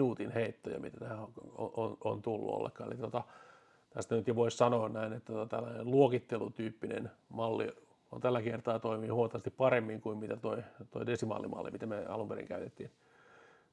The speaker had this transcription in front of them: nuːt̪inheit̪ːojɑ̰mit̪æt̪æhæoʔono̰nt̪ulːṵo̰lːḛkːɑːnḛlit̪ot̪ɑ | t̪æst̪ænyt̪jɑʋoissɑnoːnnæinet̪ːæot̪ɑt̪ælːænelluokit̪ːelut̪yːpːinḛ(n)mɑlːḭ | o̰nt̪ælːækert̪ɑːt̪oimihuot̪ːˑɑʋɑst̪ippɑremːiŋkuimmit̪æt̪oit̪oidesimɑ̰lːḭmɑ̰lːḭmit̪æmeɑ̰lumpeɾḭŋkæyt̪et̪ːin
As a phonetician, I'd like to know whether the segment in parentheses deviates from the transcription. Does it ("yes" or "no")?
no